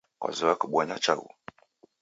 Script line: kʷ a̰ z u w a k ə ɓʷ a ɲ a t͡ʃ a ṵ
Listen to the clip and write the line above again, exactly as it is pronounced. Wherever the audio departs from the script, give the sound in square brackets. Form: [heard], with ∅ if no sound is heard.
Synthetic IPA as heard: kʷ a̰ z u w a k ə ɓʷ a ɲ a t͡ʃ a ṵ